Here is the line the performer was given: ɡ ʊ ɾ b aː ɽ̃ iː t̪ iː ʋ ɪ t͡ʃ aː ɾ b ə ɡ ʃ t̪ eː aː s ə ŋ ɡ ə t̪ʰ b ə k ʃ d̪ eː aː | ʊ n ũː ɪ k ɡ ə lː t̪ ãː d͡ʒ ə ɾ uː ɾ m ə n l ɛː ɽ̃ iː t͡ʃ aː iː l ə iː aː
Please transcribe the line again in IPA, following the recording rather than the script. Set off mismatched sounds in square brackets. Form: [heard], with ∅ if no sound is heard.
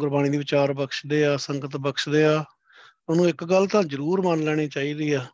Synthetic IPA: ɡ ʊ ɾ b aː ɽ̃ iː [d̪] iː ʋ ɪ t͡ʃ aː ɾ b ə [k] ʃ [d̪] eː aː s ə ŋ ɡ ə [t̪] b ə k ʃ d̪ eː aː | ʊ n ũː ɪ k ɡ ə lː t̪ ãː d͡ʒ ə ɾ uː ɾ m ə n l ɛː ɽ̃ iː t͡ʃ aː iː [ɾ] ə iː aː